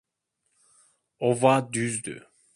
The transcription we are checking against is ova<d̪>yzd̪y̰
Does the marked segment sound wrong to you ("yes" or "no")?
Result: no